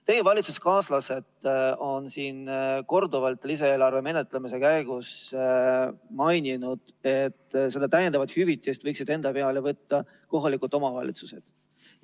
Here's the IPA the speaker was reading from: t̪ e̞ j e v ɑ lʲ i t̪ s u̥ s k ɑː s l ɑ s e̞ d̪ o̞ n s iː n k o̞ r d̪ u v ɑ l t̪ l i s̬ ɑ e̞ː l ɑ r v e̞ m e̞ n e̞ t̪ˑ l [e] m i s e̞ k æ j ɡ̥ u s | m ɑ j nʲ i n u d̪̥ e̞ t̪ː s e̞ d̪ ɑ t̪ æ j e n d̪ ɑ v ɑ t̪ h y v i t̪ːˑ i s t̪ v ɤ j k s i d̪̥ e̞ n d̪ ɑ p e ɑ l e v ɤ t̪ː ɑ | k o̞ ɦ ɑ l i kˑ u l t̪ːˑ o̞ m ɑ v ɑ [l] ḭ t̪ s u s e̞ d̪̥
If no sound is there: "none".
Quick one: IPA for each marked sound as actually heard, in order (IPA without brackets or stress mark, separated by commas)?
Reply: e, l